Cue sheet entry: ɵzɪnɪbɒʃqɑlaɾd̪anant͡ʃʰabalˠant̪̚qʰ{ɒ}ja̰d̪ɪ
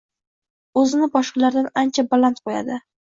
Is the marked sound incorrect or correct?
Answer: incorrect